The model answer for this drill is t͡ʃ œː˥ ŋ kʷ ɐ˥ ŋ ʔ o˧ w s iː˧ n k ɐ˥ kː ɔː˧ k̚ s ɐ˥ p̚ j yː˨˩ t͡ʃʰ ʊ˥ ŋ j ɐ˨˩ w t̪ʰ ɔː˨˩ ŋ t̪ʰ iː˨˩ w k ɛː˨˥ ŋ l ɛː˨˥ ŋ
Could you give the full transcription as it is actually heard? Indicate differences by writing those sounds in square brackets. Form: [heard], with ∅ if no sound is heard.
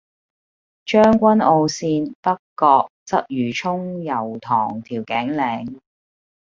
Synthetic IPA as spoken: t͡ʃ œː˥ ŋ kʷ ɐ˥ [n] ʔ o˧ w s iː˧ n [p] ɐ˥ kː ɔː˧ k̚ [t͡s] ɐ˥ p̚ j yː˨˩ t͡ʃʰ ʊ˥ ŋ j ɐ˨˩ w t̪ʰ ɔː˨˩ ŋ t̪ʰ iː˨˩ w k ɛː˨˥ ŋ l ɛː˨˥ ŋ

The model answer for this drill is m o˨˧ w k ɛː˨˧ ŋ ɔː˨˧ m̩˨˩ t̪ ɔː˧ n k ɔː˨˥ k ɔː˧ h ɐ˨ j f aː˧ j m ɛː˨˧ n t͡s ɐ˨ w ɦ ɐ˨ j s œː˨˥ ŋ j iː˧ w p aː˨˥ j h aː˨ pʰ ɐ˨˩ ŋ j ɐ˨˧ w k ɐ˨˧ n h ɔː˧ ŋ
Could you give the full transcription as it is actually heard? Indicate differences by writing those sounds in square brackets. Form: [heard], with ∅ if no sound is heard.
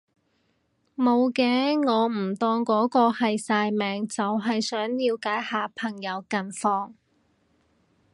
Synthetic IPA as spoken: m o˨˧ w k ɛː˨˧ ŋ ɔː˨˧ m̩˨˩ t̪ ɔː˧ [ŋ] k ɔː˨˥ k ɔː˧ h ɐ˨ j [s] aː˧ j m ɛː˨˧ [ŋ] t͡s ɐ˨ w ɦ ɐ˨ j s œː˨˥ ŋ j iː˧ w [k] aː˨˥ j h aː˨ pʰ ɐ˨˩ ŋ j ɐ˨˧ w k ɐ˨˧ n [f] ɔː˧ ŋ

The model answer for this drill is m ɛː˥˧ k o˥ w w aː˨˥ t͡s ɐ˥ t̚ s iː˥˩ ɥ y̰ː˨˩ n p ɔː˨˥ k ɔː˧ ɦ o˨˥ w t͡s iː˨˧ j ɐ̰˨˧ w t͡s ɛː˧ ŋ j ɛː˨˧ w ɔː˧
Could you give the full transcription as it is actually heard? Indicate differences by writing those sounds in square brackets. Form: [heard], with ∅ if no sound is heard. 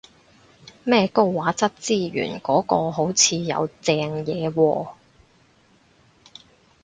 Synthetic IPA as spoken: m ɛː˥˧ k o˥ w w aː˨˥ t͡s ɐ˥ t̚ [t͡s] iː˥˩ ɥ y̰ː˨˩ n [k] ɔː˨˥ k ɔː˧ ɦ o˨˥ w [t͡sʰ] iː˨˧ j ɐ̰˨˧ w t͡s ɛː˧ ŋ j ɛː˨˧ w ɔː˧

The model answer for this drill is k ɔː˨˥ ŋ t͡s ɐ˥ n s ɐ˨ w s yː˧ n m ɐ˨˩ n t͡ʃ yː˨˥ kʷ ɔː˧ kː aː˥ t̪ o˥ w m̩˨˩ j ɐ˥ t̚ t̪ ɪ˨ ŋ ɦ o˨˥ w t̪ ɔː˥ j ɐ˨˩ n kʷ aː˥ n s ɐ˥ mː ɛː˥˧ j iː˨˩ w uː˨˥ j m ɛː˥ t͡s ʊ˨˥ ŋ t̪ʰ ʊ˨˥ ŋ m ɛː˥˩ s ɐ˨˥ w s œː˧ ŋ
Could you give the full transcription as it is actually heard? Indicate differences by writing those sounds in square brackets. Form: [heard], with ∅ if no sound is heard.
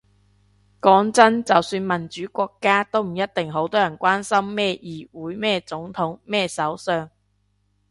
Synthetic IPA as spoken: k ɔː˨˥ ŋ t͡s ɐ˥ n [t͡s] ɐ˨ w s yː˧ n m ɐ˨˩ n t͡ʃ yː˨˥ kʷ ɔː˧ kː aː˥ t̪ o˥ w m̩˨˩ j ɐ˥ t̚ t̪ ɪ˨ ŋ ɦ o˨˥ w t̪ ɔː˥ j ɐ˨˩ n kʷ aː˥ n s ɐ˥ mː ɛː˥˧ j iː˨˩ w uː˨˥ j m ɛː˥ t͡s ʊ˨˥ ŋ t̪ʰ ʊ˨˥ ŋ m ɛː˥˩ s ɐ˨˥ w s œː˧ ŋ

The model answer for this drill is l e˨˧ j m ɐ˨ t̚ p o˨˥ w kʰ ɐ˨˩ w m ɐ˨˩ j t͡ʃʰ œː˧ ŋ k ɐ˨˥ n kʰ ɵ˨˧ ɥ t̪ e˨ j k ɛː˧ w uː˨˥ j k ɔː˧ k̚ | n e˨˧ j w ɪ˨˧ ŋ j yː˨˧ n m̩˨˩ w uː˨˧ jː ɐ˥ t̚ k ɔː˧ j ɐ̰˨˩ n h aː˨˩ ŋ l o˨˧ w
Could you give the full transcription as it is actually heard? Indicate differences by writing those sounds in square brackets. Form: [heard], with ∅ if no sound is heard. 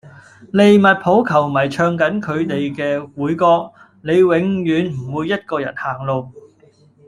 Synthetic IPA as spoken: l e˨˧ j m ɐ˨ t̚ [pʰ] o˨˥ w kʰ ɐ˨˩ w m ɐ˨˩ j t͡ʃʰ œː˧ ŋ k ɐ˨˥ n kʰ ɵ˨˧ ɥ t̪ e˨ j k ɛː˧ w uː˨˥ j k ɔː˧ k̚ | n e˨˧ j w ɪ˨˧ ŋ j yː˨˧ n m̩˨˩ w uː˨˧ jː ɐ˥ t̚ k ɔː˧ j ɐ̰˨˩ n h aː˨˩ ŋ l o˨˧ w

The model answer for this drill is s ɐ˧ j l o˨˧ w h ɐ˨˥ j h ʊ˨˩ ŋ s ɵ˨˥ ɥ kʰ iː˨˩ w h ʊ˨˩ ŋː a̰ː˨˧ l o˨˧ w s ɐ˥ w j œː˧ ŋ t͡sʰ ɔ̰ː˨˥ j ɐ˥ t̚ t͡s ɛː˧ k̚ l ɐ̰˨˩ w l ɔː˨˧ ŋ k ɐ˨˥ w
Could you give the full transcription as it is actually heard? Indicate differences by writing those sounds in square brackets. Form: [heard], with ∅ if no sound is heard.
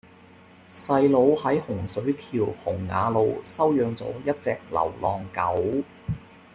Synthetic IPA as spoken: s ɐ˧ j l o˨˧ w h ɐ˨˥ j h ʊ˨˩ ŋ s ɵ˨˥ ɥ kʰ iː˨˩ w h ʊ˨˩ ŋː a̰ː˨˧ l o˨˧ w s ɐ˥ w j œː˧ ŋ [t͡s] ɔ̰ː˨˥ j ɐ˥ t̚ t͡s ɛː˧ k̚ l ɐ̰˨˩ w l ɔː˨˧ ŋ k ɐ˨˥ w

